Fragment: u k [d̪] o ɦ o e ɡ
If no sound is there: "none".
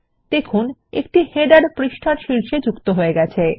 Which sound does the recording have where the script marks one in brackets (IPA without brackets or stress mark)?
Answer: t̪